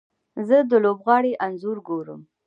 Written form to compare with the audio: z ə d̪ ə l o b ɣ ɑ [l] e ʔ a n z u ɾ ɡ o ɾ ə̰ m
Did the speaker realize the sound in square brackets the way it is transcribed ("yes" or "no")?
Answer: no